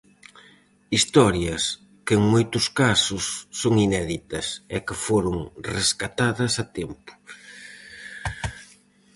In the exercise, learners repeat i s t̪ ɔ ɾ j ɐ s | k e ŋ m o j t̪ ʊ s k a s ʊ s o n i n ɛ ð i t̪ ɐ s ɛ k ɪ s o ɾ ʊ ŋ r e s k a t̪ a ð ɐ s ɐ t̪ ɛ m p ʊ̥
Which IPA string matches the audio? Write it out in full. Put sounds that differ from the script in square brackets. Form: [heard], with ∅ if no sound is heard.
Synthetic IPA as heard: i s t̪ ɔ ɾ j ɐ s | k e ŋ m o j t̪ ʊ s k a s ʊ [sː] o [ŋ] i n ɛ ð i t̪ ɐ s ɛ k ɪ [f] o ɾ ʊ ŋ r e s k a t̪ a ð ɐ s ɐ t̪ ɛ m p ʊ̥